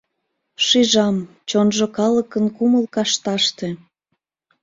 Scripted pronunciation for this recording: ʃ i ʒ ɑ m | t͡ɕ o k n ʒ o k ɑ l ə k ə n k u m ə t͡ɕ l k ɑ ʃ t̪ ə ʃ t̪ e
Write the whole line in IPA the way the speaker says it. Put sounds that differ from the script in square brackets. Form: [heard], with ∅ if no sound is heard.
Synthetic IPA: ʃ i ʒ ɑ m | t͡ɕ o [∅] n ʒ o k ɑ l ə k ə n k u m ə [∅] l k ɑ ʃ t̪ [ɑ] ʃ t̪ e

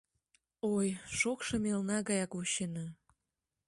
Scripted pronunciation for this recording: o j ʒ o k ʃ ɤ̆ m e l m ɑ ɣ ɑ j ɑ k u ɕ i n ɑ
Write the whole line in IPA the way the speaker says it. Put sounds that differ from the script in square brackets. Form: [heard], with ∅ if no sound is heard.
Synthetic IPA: o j [ʃ] o k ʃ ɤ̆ m e l [n] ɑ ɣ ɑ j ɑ k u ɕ [e] n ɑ

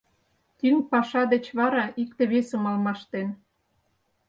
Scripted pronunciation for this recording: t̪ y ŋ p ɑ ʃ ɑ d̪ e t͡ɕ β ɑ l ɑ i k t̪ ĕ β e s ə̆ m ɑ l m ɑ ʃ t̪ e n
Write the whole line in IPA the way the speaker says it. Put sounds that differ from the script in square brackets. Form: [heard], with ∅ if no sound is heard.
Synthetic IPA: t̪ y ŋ p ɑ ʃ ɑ d̪ e t͡ɕ β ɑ [ɾ] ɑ i k t̪ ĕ β e s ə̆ m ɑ l m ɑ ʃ t̪ e n

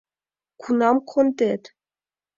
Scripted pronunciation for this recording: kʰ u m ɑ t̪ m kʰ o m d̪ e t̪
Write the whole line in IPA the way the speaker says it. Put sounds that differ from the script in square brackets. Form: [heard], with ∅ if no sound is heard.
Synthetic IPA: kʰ u [n] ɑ [∅] m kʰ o [n] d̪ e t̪

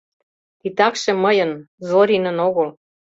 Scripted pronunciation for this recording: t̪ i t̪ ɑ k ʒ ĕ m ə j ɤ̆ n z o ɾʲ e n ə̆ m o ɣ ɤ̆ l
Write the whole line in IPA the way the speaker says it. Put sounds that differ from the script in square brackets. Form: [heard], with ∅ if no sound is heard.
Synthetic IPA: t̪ i t̪ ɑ k [ʃ] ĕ m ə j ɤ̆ n z o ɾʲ [i] n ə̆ [n] o ɣ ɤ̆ l

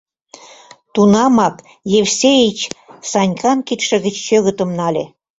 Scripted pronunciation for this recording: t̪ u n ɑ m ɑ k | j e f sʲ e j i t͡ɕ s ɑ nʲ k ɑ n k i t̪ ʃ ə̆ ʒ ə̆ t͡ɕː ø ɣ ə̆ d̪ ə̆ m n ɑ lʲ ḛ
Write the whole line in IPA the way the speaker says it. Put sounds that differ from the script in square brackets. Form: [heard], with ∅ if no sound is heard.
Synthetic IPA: t̪ u n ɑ m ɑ k | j e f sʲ e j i t͡ɕ s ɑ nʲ k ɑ n k i t̪ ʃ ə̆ [ɣ] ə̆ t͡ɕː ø ɣ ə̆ [t̪] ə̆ m n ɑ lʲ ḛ

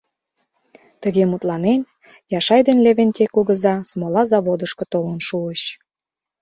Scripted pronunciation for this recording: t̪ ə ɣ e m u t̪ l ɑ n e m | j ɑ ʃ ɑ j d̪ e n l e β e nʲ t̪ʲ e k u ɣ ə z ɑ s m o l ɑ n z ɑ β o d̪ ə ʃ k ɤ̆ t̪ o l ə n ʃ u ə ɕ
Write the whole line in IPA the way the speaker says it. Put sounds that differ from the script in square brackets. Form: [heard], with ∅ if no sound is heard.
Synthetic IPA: t̪ ə ɣ e m u t̪ l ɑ n e [n] | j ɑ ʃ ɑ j d̪ e n l e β e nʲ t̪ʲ e k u ɣ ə z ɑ s m o l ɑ [∅] z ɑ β o d̪ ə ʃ k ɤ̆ t̪ o l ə n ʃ u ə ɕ

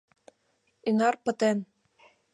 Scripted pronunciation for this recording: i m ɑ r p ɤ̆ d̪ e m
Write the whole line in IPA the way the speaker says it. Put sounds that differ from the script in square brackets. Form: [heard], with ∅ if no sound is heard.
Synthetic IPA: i [n] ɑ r p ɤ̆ [t̪] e [n]

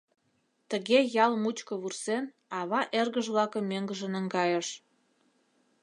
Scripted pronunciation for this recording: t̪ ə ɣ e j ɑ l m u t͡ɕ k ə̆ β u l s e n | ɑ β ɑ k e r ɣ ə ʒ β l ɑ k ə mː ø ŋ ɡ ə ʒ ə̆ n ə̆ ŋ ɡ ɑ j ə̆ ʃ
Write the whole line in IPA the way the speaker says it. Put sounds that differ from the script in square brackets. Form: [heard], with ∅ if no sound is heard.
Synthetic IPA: t̪ ə ɣ e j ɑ l m u t͡ɕ k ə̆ β u [r] s e n | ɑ β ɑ [ʔ] e r ɣ ə ʒ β l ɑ k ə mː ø ŋ ɡ ə ʒ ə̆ n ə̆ ŋ ɡ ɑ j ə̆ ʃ

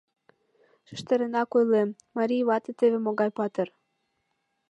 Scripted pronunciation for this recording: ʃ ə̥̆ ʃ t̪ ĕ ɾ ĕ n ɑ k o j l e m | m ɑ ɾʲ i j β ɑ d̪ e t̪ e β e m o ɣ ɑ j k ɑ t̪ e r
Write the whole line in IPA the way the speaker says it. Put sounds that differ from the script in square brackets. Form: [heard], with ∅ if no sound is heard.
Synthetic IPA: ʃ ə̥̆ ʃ t̪ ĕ ɾ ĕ n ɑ k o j l e m | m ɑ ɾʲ i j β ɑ [t̪] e t̪ e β e m o ɣ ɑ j [p] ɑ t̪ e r

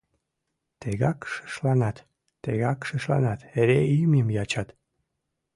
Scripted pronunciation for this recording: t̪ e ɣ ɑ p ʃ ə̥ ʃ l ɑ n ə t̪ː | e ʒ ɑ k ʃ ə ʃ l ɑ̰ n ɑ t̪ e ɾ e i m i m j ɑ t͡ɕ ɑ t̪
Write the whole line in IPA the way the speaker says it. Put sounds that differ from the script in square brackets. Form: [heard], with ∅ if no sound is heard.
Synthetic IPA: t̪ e ɣ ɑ [k] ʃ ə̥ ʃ l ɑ n [ɑ] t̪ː | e [ɣ] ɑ k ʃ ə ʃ l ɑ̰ n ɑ t̪ e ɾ e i m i m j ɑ t͡ɕ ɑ t̪

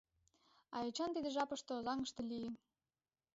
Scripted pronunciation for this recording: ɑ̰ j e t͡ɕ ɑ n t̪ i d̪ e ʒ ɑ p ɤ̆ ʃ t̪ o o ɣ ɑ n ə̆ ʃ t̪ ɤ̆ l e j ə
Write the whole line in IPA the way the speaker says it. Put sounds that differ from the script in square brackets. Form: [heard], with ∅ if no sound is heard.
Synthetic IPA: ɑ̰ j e t͡ɕ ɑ n t̪ i d̪ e ʒ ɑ p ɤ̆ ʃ t̪ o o [z] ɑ [ŋ] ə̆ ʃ t̪ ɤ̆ l [i] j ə

